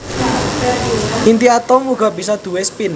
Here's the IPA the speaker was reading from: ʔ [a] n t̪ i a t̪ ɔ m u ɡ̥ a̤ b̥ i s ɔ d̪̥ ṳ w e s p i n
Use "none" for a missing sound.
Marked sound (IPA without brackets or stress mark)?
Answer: i